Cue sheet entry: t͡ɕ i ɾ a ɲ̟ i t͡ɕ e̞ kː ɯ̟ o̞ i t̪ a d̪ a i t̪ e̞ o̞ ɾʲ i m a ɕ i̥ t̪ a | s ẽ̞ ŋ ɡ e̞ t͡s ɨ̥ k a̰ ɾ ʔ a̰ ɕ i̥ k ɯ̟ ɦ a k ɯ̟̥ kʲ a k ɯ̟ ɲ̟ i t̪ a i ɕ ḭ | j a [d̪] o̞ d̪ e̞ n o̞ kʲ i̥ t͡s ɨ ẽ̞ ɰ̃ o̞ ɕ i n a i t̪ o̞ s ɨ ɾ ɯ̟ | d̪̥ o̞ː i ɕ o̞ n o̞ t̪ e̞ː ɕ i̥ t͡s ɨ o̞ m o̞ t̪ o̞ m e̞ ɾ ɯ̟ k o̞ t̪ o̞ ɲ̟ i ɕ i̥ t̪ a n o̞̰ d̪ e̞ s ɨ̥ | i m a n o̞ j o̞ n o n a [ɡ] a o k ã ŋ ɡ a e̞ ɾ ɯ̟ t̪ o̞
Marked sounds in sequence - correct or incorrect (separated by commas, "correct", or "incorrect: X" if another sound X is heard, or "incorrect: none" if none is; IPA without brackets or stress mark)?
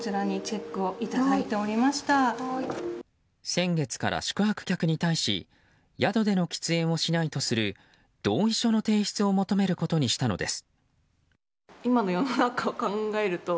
correct, incorrect: k